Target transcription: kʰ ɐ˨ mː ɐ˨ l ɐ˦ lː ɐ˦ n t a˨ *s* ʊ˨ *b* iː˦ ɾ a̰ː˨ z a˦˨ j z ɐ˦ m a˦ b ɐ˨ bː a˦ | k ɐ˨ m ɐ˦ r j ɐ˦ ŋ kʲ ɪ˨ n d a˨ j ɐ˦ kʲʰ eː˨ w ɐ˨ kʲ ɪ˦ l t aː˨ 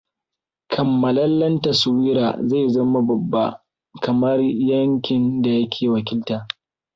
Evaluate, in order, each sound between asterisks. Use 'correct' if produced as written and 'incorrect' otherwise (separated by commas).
correct, incorrect